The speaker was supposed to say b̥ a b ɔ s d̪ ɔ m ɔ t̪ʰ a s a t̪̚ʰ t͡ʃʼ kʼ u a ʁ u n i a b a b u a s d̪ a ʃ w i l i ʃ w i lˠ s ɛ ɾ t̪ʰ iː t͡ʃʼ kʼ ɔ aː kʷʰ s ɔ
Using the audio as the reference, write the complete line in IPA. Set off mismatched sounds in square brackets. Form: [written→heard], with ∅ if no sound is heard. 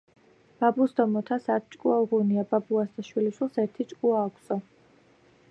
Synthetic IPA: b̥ a b [ɔ→u] s d̪ ɔ m ɔ t̪ʰ a s a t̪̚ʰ t͡ʃʼ kʼ u a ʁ u n i a b a b u a s d̪ a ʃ w i l i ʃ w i lˠ s ɛ ɾ t̪ʰ [iː→i] t͡ʃʼ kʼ [ɔ→u] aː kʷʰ s ɔ